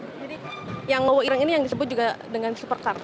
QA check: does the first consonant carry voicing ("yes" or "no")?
yes